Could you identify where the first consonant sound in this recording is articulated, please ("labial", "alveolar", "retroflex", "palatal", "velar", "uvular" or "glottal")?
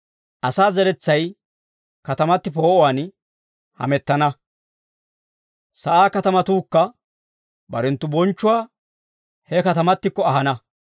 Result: glottal